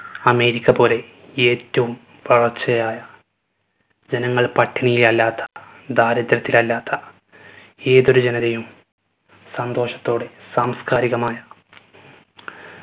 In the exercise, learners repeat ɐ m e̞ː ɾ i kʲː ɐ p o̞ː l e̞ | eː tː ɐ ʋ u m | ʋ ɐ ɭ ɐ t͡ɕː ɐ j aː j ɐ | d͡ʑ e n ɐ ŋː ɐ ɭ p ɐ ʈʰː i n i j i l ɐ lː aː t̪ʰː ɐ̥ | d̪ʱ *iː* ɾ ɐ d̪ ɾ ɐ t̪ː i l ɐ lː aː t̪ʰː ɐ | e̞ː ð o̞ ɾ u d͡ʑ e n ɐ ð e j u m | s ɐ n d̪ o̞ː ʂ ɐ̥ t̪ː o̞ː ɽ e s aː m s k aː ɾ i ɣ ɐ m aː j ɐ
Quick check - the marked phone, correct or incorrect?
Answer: incorrect: aː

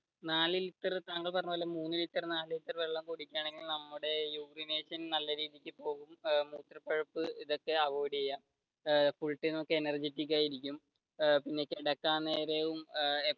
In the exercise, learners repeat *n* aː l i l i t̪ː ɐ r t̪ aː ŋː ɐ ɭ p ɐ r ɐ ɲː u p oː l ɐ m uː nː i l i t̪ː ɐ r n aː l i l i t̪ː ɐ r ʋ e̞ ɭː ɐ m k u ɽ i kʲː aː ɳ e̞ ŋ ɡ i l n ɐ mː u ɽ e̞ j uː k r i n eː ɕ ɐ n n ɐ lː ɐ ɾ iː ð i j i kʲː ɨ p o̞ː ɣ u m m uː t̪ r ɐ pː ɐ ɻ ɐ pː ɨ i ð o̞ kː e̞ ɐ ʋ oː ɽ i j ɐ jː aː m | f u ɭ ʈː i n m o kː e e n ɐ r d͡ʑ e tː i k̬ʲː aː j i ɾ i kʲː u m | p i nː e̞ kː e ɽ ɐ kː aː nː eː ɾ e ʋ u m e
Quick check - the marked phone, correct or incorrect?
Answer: correct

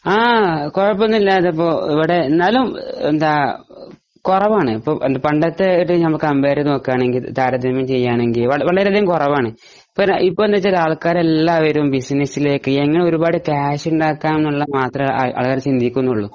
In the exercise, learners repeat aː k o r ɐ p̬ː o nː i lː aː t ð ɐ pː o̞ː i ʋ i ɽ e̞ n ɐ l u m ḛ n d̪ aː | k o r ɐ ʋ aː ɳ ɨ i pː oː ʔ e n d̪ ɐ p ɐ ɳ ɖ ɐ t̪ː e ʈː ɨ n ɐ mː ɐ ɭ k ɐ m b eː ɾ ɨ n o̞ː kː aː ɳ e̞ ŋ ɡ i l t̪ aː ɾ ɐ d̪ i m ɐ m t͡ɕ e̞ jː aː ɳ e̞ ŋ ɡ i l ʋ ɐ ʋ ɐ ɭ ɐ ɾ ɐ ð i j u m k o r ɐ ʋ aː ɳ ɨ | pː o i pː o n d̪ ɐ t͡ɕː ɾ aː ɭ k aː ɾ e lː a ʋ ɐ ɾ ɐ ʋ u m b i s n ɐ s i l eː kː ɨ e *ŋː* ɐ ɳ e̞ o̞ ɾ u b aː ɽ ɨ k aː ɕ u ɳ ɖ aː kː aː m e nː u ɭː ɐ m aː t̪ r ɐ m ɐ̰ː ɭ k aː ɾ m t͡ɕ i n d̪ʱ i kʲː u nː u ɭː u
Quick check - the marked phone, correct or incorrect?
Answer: correct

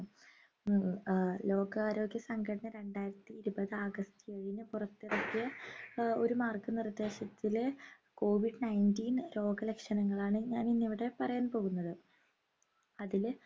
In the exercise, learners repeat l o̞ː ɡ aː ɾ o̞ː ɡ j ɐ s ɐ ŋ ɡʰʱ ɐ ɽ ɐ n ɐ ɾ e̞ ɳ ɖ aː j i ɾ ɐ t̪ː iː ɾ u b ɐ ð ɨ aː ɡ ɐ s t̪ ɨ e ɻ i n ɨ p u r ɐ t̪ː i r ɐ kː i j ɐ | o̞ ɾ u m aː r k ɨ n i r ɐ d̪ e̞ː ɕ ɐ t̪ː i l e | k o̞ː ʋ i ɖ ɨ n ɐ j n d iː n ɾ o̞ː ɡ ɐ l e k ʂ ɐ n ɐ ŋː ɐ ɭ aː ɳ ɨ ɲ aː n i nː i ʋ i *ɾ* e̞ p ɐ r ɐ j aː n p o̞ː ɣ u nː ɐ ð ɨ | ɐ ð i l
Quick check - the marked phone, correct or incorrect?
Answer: incorrect: ɽ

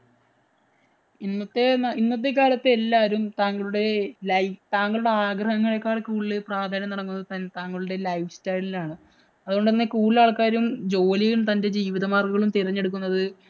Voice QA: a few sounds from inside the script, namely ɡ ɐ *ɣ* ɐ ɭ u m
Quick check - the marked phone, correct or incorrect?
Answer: correct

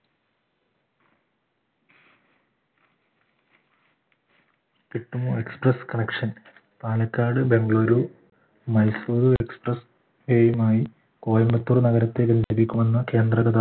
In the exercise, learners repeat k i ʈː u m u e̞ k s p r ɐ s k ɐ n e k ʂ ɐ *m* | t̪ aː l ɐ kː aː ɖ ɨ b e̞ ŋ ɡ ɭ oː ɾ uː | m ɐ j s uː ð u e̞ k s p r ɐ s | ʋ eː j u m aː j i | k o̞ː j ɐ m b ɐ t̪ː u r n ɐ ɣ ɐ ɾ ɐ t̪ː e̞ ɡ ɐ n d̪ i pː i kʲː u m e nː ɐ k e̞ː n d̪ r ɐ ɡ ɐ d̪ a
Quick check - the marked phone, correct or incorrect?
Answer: incorrect: n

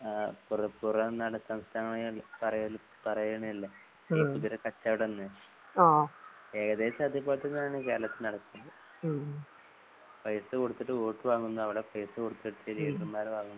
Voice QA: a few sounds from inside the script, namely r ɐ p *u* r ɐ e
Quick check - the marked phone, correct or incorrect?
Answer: correct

